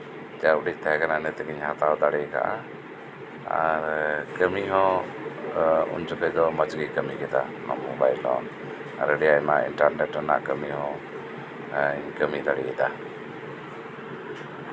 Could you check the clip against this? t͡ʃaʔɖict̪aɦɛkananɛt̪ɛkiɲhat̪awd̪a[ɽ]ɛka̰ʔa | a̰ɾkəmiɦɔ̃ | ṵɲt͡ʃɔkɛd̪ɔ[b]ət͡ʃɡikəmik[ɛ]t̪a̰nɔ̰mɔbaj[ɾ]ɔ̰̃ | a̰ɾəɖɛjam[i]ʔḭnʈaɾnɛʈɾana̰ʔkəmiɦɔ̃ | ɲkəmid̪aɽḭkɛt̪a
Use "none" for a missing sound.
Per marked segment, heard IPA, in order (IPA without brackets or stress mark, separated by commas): ɽ, m, ɛ, l, a